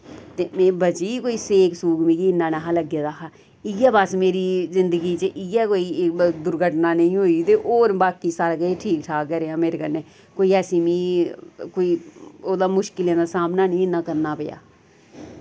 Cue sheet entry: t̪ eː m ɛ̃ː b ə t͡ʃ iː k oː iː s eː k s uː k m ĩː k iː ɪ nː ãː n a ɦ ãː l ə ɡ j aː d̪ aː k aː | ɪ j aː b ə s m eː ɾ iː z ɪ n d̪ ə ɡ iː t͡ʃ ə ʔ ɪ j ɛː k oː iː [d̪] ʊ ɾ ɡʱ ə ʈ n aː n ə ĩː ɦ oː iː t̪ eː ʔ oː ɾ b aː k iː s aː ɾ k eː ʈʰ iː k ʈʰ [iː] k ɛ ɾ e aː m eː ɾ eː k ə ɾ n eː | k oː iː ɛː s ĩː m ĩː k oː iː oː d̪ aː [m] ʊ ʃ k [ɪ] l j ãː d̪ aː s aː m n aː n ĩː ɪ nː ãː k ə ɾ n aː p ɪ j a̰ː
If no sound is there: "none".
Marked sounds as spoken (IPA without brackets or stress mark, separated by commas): d̪, aː, m, ɪ